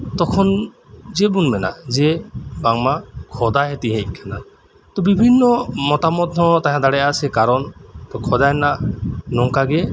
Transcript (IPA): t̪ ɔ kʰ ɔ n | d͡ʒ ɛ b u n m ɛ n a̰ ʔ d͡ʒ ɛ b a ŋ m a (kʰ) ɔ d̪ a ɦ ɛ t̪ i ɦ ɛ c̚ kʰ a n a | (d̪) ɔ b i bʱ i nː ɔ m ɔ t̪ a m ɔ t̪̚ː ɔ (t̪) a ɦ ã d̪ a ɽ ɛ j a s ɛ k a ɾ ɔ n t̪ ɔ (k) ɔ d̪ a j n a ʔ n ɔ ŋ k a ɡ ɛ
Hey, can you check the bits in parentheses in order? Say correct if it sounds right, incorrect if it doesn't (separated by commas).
correct, incorrect, correct, incorrect